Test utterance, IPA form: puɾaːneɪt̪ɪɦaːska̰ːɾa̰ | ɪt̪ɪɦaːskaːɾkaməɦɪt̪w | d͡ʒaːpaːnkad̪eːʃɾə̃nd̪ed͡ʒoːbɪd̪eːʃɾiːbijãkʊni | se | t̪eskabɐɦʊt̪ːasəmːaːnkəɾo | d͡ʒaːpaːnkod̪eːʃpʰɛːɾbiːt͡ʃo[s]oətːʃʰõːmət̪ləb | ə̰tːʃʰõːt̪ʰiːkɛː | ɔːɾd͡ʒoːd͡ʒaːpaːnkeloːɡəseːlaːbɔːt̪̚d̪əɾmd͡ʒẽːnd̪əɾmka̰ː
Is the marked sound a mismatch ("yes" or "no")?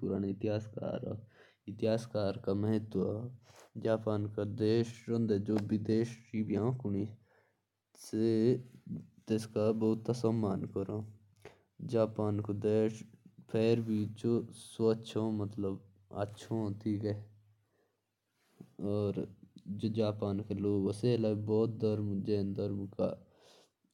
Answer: no